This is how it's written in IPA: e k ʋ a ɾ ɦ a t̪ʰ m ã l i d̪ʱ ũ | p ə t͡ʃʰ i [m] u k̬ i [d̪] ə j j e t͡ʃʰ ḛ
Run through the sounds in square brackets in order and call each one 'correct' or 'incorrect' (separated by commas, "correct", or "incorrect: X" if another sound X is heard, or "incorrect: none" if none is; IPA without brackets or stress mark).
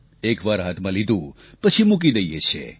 correct, correct